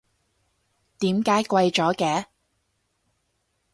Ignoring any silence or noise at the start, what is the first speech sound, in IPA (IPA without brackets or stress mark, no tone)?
t̪